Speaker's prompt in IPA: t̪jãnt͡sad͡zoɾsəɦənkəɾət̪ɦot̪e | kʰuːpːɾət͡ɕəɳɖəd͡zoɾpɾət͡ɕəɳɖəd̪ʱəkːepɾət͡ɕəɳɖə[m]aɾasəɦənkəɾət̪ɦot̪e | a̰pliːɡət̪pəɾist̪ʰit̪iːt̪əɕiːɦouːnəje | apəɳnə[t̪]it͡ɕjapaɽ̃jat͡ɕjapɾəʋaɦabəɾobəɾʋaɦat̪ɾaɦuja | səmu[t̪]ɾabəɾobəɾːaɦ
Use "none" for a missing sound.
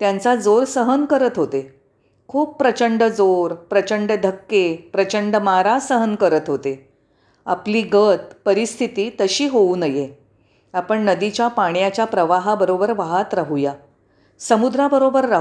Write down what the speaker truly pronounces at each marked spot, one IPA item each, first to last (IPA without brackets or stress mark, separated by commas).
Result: m, d̪, d̪